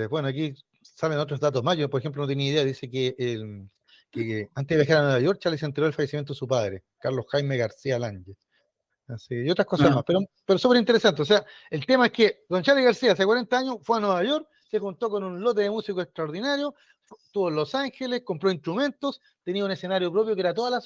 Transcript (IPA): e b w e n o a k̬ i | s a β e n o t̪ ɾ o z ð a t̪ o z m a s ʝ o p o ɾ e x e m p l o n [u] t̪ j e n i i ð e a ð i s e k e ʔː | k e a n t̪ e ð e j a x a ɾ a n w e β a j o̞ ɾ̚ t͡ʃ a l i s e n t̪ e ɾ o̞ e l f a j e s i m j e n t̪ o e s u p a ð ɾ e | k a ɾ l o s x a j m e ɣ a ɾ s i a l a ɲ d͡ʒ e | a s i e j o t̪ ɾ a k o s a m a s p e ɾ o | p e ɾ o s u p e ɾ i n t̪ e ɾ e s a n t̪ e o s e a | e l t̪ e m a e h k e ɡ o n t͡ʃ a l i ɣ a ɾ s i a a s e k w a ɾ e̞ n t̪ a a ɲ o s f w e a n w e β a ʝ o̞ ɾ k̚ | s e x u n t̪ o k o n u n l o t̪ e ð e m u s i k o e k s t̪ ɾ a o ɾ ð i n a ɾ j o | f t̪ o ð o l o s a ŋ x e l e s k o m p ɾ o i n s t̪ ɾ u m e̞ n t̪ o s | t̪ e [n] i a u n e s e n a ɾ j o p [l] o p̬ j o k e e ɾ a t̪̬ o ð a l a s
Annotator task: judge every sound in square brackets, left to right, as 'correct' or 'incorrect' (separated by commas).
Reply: incorrect, correct, incorrect